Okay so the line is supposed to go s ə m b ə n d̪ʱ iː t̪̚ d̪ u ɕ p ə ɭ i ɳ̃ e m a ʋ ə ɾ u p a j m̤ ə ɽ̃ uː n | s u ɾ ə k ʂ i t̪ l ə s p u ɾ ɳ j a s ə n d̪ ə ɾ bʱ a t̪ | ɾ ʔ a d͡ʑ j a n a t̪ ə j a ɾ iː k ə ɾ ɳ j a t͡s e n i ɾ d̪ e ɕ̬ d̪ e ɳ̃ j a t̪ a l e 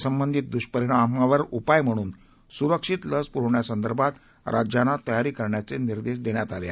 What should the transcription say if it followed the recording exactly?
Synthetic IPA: s ə m b ə n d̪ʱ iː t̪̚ d̪ u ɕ p ə ɾ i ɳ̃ a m a ʋ ə ɾ u p a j m̤ ə ɽ̃ uː n | s u ɾ ə k ʂ i t̪ l ə s p u ɾ ɳ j a s ə n d̪ ə ɾ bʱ a t̪ | ɾ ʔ a d͡ʑ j a n a t̪ ə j a ɾ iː k ə ɾ ɳ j a t͡s e n i ɾ d̪ e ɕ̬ d̪ e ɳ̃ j a t̪ a l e